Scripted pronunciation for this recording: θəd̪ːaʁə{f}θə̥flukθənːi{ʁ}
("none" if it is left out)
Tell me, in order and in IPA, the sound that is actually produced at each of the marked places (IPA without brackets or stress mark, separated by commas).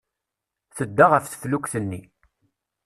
f, none